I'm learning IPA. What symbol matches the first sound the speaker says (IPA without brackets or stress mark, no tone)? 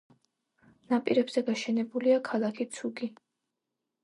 n